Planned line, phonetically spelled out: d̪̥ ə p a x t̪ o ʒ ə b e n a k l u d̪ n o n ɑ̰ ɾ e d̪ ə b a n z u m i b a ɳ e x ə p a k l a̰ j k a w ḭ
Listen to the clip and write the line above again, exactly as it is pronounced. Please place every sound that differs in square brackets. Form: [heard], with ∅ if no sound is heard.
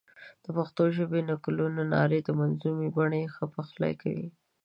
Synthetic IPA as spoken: d̪̥ ə p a x t̪ o ʒ ə b e n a k l u [∅] n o n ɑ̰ ɾ e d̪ ə [m] a n z u m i b a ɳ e x ə p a [x] l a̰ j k a w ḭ